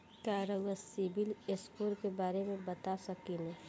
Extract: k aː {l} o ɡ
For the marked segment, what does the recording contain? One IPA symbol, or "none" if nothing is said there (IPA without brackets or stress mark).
ɾ